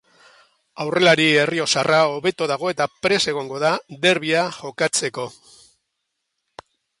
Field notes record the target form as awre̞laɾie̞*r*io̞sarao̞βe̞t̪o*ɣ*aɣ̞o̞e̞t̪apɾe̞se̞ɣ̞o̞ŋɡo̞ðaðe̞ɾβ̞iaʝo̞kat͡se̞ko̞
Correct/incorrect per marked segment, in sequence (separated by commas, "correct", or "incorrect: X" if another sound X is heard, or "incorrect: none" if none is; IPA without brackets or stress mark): correct, incorrect: ð